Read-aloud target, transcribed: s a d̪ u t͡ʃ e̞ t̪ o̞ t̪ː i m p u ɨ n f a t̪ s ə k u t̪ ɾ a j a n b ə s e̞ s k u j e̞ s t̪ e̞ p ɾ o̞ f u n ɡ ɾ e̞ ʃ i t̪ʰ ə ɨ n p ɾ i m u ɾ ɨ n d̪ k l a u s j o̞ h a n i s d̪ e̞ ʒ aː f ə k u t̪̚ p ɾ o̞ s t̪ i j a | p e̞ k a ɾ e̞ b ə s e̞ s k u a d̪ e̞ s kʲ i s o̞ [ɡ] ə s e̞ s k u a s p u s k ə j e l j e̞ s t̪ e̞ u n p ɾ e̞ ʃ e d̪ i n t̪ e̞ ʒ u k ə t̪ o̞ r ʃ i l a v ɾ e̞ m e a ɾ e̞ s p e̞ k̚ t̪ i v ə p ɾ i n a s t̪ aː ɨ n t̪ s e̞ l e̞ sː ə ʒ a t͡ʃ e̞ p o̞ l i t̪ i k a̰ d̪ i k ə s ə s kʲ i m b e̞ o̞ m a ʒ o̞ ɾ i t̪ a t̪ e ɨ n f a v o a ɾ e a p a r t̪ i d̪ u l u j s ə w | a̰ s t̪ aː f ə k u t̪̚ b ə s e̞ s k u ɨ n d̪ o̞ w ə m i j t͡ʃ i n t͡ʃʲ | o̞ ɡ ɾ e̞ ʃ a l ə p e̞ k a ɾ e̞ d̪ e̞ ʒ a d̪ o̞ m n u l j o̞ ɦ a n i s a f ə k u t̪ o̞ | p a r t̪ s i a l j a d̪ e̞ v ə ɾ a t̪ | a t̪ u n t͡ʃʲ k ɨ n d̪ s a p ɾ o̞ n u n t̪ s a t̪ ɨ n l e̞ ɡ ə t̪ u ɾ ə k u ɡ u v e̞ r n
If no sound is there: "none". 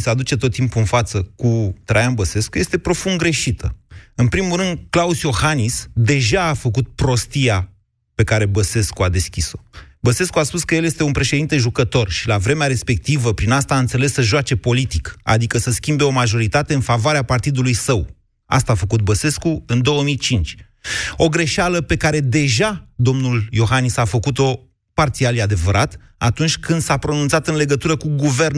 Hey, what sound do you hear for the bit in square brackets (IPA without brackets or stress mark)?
b